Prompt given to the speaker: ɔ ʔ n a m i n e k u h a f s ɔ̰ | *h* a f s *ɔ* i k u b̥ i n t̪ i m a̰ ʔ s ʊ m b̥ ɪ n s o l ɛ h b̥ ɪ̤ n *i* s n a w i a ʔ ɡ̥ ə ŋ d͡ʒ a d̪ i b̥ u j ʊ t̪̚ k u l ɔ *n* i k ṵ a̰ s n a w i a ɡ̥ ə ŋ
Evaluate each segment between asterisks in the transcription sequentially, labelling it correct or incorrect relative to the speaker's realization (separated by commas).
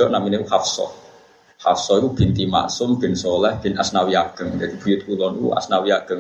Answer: correct, correct, incorrect, correct